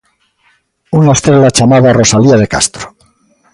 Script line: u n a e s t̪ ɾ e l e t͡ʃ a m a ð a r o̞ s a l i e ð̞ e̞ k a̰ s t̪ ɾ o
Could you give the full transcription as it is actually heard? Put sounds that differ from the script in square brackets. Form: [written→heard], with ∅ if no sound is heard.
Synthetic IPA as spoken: u n a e s t̪ ɾ e l [e→a] t͡ʃ a m a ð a r o̞ s a l i [e→a] ð̞ e̞ k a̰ s t̪ ɾ o

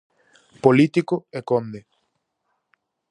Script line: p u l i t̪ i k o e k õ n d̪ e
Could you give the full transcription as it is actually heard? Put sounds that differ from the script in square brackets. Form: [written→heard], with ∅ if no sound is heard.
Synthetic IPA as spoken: p [u→o] l i t̪ i k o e k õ n d̪ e

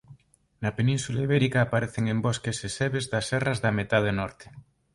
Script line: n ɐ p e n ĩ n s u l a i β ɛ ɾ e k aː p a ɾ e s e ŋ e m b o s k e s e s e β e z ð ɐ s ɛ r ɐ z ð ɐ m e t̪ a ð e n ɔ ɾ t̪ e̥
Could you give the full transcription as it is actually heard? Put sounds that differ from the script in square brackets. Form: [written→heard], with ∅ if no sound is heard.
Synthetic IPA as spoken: n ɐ p e n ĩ n s u l a i β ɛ ɾ [e→i] k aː p a ɾ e [s→θ] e ŋ e m b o s k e s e s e β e z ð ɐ s ɛ r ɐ z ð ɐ m e t̪ a ð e n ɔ ɾ t̪ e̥

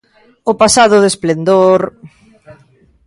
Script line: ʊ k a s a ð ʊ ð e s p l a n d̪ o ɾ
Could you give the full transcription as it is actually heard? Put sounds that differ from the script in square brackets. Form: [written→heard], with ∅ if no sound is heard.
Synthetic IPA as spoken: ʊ [k→p] a s a ð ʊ ð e s p l [a→e] n d̪ o ɾ

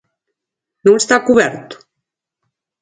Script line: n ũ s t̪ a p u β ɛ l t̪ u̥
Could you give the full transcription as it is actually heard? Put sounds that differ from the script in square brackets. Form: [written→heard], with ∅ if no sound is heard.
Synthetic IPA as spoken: n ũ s t̪ a [p→k] u β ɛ [l→ɾ] t̪ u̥

